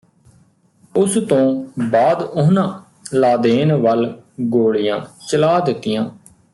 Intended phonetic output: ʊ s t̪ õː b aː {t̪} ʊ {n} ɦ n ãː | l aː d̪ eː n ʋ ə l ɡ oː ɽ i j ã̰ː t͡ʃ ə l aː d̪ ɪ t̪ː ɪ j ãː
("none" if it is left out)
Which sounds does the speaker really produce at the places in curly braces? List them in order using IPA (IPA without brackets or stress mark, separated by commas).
d̪, none